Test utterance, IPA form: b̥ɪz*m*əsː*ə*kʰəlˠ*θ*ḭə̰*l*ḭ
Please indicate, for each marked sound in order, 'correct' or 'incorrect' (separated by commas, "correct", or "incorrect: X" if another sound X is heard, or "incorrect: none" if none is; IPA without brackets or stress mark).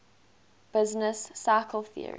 incorrect: n, incorrect: a, correct, incorrect: ɹ